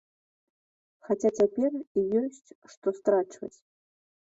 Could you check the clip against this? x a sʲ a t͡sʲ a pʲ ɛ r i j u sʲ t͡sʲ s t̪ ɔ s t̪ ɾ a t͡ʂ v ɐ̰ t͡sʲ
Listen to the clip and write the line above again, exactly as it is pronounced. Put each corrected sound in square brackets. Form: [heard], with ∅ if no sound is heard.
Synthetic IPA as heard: x a [t͡sʲ] a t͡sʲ a pʲ ɛ r i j [ɔ] sʲ t͡sʲ [ʂ] t̪ ɔ s t̪ ɾ a t͡ʂ v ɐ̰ t͡sʲ

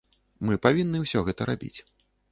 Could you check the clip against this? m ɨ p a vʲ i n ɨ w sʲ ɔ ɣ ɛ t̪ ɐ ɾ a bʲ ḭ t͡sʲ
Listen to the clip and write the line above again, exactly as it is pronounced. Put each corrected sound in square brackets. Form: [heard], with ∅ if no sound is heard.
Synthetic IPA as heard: m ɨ p a vʲ i [nː] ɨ w sʲ ɔ ɣ ɛ t̪ ɐ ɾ a bʲ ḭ t͡sʲ

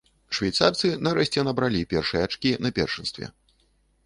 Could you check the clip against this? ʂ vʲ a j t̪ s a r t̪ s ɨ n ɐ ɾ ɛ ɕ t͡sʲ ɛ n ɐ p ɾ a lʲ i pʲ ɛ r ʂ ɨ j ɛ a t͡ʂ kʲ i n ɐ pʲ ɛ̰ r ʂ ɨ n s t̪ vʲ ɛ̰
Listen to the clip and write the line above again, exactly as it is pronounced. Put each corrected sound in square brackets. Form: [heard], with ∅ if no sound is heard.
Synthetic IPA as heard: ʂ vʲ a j t̪ s a r t̪ s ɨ n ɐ ɾ ɛ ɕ t͡sʲ ɛ n ɐ [b] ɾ a lʲ i pʲ ɛ r ʂ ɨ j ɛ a t͡ʂ kʲ i n ɐ pʲ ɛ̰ r ʂ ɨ n s t̪ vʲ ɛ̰

